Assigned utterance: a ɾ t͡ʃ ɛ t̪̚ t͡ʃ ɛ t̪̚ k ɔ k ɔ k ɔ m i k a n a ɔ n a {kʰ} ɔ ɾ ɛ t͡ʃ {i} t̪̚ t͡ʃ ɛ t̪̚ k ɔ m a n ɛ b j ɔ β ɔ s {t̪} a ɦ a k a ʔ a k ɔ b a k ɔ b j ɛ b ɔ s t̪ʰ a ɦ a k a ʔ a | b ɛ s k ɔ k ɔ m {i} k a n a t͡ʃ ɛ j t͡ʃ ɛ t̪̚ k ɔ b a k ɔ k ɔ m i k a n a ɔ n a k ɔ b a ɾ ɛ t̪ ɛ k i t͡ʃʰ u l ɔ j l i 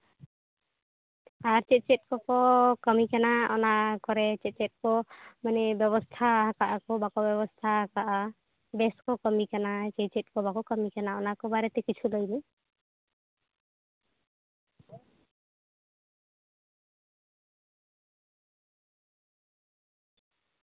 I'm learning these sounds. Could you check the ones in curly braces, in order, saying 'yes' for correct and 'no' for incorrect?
no, no, no, yes

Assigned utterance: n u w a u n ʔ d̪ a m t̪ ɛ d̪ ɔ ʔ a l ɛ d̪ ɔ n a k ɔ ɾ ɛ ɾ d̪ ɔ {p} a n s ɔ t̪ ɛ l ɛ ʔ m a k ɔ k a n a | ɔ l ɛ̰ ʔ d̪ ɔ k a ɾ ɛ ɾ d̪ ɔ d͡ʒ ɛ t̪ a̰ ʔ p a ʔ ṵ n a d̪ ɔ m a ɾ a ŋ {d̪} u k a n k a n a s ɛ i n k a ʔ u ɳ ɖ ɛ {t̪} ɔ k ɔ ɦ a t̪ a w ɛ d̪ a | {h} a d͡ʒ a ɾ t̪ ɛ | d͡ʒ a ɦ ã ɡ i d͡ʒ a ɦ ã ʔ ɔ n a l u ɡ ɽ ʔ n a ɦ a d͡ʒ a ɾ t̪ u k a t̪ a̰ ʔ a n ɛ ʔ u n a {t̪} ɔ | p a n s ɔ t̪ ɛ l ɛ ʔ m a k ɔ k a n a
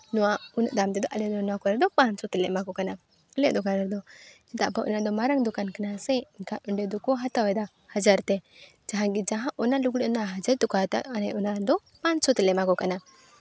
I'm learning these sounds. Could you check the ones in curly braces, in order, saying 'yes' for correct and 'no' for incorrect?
yes, yes, no, yes, no

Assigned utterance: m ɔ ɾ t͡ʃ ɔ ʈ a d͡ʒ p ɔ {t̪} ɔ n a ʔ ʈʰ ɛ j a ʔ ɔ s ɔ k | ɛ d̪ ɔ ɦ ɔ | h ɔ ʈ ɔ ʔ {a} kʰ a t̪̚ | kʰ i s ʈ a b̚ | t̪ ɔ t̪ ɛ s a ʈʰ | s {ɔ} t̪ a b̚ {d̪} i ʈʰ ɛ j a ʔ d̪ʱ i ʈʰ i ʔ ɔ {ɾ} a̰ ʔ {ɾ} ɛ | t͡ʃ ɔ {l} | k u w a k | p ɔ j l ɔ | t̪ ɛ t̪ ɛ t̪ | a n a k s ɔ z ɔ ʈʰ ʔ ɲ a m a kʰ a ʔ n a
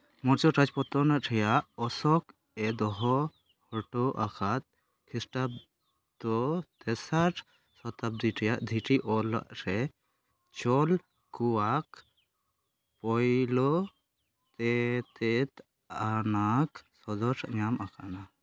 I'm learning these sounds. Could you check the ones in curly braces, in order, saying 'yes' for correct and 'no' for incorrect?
yes, yes, yes, yes, no, yes, yes

